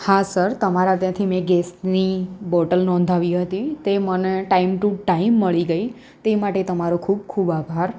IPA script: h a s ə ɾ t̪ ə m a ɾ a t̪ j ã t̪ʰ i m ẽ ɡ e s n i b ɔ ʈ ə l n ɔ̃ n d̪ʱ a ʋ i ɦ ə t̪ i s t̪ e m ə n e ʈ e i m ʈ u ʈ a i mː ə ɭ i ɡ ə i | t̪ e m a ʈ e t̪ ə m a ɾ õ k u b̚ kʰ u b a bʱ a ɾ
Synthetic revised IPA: h a s ə ɾ t̪ ə m a ɾ a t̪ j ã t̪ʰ i m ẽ ɡ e s n i b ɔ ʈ ə l n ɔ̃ n d̪ʱ a ʋ i ɦ ə t̪ i t̪ e m ə n e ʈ a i m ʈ u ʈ a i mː ə ɭ i ɡ ə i | t̪ e m a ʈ e t̪ ə m a ɾ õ kʰ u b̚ kʰ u b a bʱ a ɾ